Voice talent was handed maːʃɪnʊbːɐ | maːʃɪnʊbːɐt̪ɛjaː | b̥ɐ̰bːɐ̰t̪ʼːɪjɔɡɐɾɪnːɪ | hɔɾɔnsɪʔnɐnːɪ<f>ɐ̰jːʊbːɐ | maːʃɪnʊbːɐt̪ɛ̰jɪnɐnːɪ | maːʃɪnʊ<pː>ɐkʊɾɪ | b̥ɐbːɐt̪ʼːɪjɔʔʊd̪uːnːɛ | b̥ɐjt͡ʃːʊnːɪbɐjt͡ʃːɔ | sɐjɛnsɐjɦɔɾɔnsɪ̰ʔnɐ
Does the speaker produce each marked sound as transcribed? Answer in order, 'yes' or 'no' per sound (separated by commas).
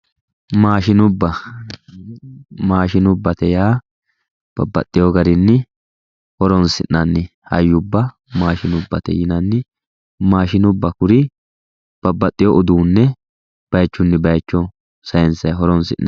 no, no